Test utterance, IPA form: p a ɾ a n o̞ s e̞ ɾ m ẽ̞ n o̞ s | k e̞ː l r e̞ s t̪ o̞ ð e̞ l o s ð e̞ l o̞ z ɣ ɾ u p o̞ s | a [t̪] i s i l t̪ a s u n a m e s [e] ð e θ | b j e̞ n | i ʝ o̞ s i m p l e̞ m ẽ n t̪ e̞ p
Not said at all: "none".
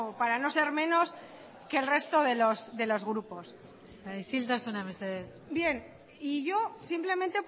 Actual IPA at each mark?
none, e

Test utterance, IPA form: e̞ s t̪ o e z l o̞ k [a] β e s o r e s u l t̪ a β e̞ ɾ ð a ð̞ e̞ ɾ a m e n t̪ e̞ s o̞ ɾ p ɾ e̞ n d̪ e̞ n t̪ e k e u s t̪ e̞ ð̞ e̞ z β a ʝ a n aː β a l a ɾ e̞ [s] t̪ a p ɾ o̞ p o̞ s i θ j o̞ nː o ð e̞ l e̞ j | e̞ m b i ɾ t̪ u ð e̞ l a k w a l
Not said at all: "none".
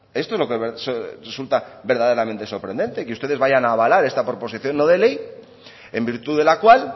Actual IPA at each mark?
e, s

